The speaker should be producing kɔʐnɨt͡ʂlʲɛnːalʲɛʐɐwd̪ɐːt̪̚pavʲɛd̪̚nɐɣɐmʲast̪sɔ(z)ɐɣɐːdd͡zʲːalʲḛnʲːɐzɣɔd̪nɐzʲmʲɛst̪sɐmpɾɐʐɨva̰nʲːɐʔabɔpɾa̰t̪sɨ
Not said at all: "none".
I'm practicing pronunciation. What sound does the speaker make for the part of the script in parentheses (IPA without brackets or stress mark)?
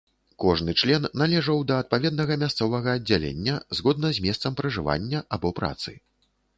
v